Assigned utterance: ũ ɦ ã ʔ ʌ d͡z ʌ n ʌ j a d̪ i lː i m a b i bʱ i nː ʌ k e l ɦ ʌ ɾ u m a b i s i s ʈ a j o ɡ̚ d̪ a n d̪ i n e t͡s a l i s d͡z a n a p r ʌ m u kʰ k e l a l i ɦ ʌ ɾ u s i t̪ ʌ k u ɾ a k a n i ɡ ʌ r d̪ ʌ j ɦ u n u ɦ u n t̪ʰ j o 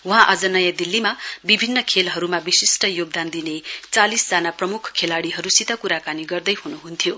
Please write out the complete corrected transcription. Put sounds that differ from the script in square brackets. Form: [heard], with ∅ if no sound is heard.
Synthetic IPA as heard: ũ ɦ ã ʔ ʌ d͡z ʌ n ʌ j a d̪ i lː i m a b i bʱ i nː ʌ [kʰ] e l ɦ ʌ ɾ u m a b i s i s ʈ [ʌ] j o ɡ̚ d̪ a n d̪ i n e t͡s a l i s d͡z a n a p r ʌ m u kʰ [kʰ] e l a [ɽ] i ɦ ʌ ɾ u s i t̪ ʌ k u ɾ a k a n i ɡ ʌ r d̪ ʌ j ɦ u n u ɦ u n t̪ʰ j o